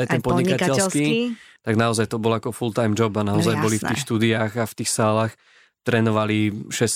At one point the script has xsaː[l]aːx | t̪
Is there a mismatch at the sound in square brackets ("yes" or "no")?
no